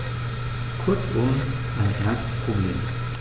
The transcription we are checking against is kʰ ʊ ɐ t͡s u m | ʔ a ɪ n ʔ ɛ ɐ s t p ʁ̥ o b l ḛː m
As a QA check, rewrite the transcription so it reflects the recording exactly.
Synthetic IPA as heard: kʰ ʊ ɐ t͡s ʊ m | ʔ a ɪ n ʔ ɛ ɐ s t p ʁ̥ o b l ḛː m